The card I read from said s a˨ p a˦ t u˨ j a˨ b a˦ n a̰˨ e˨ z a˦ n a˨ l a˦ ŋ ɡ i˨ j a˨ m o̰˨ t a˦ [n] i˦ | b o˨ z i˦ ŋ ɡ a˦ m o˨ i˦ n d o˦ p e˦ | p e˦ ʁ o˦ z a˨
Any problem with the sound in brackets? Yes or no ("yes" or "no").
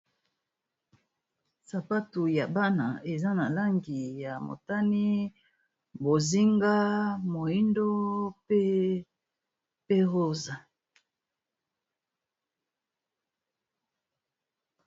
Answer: no